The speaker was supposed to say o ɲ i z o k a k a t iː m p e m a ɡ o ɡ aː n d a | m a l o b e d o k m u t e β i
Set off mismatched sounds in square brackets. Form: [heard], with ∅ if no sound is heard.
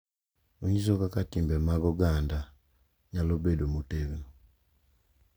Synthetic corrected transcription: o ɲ i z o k a k a t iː m [b] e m a ɡ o ɡ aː n d a | [ɲ] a l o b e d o [∅] m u t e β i